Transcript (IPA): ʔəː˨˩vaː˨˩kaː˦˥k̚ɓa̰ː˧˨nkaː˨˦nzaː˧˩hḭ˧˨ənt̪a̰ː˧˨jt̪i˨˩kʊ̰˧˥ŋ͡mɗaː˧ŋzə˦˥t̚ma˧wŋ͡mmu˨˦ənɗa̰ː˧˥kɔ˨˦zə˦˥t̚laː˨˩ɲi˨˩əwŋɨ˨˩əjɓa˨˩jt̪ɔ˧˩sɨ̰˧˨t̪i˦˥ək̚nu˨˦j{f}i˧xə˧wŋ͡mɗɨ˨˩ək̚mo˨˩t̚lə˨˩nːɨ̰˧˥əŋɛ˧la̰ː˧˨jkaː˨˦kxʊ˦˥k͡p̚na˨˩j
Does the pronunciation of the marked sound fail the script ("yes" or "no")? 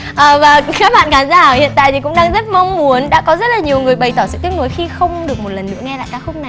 yes